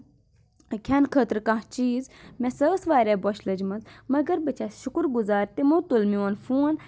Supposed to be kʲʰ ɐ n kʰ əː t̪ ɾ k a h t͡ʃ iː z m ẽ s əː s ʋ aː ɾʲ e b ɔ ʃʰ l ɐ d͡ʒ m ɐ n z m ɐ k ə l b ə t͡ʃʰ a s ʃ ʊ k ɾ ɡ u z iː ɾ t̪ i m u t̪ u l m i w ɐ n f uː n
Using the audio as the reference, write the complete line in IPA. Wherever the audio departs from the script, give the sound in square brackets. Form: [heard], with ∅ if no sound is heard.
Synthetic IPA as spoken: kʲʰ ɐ n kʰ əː t̪ ɾ k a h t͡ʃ iː z m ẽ s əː s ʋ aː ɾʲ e b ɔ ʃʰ l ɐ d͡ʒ m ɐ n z m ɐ [ɡ] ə [ɾ] b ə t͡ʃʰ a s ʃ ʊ k ɾ ɡ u z [aː] ɾ t̪ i m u t̪ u l m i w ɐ n f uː n